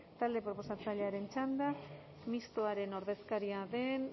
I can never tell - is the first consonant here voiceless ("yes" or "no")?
yes